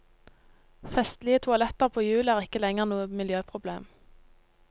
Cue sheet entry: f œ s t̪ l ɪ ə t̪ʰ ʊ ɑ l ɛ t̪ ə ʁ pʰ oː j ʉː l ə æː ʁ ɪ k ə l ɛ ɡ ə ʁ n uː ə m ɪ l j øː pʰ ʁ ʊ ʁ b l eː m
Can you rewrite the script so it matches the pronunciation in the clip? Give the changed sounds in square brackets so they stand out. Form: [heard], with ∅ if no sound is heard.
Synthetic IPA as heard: f [ɛ] s t̪ l ɪ ə t̪ʰ ʊ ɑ l ɛ t̪ ə ʁ pʰ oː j ʉː l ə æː ʁ ɪ k ə l ɛ [ŋ] ə ʁ n uː ə m ɪ l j øː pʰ ʁ ʊ [∅] b l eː m